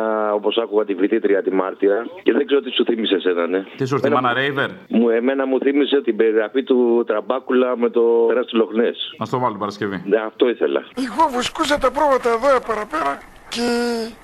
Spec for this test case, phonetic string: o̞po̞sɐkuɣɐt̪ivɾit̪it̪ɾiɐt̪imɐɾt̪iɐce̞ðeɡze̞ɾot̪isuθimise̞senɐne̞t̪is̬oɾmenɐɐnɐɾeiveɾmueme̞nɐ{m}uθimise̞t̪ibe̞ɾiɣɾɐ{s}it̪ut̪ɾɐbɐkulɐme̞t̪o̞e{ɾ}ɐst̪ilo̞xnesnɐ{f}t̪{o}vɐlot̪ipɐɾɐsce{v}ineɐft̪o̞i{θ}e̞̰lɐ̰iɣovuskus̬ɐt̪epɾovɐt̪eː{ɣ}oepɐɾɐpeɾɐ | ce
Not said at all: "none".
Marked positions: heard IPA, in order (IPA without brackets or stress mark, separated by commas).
m, f, ɾ, s, o, v, θ, ð